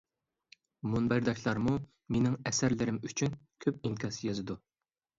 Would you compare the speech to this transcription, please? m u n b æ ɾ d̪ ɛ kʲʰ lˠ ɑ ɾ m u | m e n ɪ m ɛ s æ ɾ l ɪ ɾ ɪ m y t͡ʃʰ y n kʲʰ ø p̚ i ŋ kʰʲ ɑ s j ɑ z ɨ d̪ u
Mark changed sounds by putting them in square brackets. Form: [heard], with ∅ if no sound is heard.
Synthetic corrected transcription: m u n b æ ɾ d̪ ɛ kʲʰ lˠ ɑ ɾ m u | m e n ɪ [ŋ] ɛ s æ ɾ l ɪ ɾ ɪ m y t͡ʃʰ y n kʲʰ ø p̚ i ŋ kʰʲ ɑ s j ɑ z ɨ d̪ u